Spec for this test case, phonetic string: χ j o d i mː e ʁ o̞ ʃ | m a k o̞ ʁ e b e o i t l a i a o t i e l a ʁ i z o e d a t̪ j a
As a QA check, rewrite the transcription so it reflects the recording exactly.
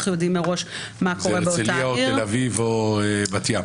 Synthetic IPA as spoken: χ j o d i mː e ʁ o̞ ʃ | m a k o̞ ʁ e b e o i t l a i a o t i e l a v i v o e b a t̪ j a